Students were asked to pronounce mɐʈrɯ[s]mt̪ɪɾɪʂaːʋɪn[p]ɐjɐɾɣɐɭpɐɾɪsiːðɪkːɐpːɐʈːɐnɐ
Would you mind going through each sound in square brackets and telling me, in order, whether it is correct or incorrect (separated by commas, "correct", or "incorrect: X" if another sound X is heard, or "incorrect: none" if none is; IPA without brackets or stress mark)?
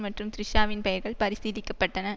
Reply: incorrect: none, correct